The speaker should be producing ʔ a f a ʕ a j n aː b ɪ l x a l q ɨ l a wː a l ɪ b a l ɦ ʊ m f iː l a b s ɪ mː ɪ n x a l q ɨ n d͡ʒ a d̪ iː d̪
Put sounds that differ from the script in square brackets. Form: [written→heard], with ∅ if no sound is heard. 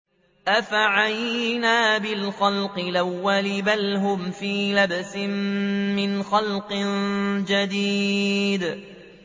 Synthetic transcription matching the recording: ʔ a f a ʕ a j n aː b ɪ l x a l q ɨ l a wː a l ɪ b a l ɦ ʊ m f iː l a b s ɪ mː ɪ n x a l q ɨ n d͡ʒ a d̪ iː d̪